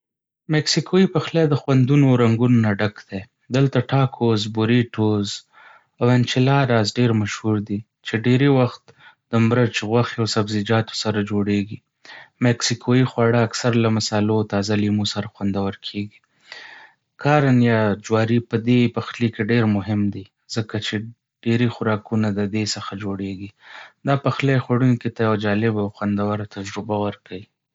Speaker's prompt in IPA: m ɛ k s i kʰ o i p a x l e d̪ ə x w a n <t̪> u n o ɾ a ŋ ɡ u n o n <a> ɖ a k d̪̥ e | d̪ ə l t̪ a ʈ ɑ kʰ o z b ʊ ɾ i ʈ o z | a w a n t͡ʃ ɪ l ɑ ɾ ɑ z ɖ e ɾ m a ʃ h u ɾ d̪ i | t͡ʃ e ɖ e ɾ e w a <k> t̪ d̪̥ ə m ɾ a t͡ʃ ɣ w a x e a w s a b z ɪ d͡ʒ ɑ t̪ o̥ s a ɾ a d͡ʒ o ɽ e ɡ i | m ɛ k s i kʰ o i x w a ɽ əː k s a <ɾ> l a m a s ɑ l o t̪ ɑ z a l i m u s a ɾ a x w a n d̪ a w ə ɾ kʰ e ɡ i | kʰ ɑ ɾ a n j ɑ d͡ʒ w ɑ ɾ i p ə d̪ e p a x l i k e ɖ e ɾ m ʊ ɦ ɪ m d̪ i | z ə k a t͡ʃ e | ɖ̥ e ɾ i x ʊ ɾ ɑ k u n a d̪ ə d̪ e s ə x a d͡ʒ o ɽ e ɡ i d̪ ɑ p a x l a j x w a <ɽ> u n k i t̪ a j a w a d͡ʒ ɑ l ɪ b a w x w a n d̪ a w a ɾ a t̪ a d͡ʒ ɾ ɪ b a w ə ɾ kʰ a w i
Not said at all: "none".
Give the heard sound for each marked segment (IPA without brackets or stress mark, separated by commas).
d̪, a, x, ɾ, ɽ